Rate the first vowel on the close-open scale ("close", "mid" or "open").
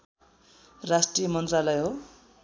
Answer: open